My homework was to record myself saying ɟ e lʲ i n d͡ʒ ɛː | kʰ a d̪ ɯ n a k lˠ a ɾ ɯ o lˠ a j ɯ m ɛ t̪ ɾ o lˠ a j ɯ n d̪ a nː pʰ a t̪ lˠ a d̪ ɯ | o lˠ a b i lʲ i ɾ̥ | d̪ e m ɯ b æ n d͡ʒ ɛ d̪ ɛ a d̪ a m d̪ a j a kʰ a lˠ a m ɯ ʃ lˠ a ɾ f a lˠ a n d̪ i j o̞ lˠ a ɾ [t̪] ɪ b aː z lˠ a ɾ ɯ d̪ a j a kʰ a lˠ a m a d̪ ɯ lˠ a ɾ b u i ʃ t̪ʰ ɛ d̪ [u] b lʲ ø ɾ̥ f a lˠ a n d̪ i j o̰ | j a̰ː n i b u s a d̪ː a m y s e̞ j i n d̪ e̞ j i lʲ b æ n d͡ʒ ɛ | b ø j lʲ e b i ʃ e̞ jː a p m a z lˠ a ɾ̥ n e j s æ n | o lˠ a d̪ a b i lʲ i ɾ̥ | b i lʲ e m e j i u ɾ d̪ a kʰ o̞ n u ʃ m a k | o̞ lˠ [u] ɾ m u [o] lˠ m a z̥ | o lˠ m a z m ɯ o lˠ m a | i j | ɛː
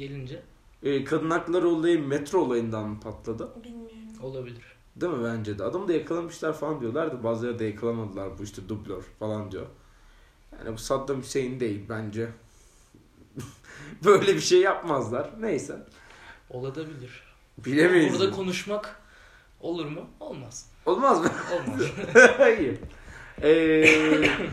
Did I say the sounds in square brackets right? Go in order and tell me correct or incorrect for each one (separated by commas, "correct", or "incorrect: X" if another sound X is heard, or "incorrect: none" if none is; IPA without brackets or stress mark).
incorrect: d̪, correct, correct, correct